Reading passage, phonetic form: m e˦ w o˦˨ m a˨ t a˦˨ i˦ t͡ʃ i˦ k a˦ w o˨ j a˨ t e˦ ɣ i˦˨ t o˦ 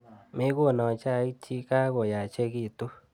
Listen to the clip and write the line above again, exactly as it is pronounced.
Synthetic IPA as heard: m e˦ ɣ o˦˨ n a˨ t͡ʃ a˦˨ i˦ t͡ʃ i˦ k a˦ ɣ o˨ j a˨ t͡ʃ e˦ ɣ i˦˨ t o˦